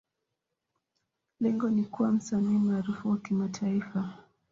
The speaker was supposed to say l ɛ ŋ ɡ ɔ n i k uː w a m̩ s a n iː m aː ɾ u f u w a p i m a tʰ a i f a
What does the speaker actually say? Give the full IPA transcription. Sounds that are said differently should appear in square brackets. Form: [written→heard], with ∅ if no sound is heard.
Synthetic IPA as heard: l ɛ ŋ ɡ ɔ n i k [uː→u] w a m̩ s a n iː m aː ɾ u f u w a [p→k] i m a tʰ a i f a